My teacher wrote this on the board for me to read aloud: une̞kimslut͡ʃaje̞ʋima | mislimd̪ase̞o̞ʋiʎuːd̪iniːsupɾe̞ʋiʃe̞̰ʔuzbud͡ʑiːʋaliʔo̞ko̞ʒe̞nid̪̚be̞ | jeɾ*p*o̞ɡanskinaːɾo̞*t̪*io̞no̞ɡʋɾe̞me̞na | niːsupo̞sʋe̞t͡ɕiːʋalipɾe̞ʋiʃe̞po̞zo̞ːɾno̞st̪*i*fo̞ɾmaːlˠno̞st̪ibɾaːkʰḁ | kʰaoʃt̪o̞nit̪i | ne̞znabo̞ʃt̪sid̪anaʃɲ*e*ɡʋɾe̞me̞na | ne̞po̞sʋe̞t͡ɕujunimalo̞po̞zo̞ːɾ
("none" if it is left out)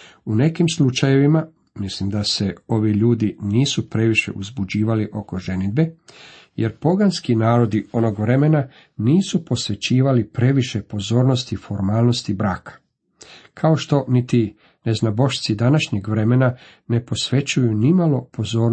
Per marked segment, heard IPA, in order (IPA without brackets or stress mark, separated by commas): p, d̪, i, e